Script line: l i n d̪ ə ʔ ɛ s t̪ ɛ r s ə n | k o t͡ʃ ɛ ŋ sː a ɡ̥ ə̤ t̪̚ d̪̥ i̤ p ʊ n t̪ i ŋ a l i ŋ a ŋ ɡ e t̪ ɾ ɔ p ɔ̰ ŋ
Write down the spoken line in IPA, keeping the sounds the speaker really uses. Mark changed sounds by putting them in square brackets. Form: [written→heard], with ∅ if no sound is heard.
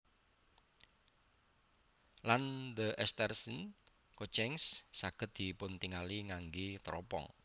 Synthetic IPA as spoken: l [i→a] n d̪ ə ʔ ɛ s t̪ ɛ r s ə n | k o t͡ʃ ɛ ŋ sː a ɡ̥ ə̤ t̪̚ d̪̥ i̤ p ʊ n t̪ i ŋ a l i ŋ a ŋ ɡ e t̪ ɾ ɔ p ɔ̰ ŋ